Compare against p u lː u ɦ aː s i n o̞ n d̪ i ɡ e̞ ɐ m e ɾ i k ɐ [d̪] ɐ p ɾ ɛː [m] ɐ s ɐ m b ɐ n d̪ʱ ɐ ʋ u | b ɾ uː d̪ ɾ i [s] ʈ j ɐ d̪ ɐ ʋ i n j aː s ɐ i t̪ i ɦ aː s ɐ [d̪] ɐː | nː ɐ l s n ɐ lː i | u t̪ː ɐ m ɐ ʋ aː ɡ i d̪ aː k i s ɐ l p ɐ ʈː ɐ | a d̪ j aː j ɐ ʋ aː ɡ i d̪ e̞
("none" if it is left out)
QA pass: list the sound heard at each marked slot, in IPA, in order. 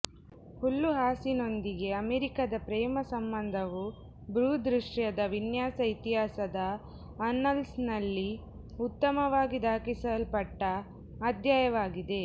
d̪, m, ʂ, d̪

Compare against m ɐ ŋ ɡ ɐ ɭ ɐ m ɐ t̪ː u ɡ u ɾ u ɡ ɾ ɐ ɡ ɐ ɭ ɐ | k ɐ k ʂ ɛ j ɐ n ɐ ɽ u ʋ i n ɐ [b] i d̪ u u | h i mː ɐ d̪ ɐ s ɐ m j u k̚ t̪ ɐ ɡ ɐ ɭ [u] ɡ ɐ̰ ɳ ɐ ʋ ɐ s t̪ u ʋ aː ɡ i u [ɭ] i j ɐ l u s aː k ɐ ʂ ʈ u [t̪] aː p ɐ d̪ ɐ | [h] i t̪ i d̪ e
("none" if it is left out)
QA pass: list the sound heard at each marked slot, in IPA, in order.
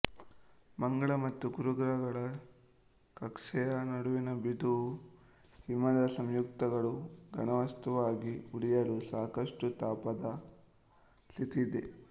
b, u, ɽ, t̪, s

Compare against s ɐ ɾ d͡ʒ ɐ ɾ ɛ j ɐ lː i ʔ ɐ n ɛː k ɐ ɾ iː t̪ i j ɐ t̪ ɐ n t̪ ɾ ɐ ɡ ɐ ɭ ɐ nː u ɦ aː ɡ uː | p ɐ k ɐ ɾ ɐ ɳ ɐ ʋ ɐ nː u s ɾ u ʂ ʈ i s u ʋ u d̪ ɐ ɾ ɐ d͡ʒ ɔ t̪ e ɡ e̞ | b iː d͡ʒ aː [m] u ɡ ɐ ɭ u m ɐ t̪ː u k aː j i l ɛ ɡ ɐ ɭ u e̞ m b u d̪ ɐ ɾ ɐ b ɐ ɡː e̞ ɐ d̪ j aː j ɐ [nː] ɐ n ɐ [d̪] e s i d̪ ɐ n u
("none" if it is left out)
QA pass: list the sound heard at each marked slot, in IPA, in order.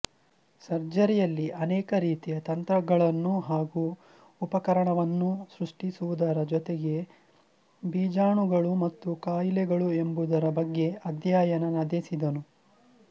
ɳ, n, d̪

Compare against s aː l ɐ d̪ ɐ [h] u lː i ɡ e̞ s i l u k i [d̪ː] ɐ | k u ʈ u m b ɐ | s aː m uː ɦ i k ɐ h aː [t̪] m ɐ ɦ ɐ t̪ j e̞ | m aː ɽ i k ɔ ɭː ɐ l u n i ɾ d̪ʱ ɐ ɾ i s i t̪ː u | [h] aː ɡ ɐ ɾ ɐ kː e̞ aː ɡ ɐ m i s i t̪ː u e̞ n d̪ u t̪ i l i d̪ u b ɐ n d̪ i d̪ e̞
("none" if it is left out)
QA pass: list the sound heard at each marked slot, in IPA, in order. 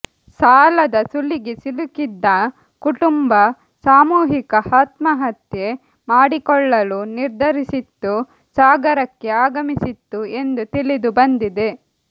s, d̪ː, t̪, s

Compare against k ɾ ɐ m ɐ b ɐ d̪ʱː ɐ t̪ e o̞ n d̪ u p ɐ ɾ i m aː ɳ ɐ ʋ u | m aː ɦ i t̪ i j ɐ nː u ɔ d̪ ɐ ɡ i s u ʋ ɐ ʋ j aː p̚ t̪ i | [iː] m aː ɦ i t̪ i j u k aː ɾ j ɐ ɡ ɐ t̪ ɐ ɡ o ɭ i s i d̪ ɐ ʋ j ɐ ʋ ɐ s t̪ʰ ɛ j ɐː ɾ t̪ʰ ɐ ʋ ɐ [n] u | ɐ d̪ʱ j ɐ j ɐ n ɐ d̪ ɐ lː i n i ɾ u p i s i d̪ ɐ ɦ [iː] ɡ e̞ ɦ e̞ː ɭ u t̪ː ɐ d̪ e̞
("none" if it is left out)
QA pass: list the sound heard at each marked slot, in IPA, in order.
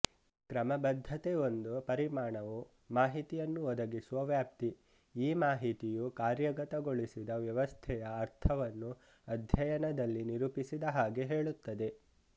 iː, nː, aː

